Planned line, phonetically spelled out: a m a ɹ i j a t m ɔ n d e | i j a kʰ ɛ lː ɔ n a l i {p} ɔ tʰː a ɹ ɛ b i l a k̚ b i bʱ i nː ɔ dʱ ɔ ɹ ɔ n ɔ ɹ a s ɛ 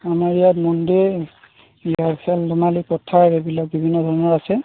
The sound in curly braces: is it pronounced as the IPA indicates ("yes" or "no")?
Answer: yes